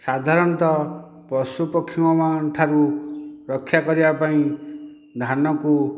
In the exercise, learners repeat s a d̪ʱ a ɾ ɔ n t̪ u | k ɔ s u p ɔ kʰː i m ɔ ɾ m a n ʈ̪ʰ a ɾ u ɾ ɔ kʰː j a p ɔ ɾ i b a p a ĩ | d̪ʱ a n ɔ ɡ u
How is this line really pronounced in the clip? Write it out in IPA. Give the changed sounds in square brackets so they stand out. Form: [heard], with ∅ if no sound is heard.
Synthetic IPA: s a d̪ʱ a ɾ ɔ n t̪ [ɔ] | [p] ɔ s u p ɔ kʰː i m ɔ [∅] m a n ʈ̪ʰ a ɾ u ɾ ɔ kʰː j a [k] ɔ ɾ i b a p a ĩ | d̪ʱ a n ɔ [k] u